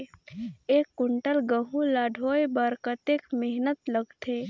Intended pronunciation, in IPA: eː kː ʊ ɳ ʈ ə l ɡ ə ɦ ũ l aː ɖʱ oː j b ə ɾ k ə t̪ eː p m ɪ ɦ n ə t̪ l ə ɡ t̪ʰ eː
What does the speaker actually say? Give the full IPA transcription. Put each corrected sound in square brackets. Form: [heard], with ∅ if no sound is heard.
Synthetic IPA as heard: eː kː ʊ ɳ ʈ ə l ɡ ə ɦ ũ l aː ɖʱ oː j b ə ɾ k ə t̪ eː [k] m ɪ ɦ n ə t̪ l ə ɡ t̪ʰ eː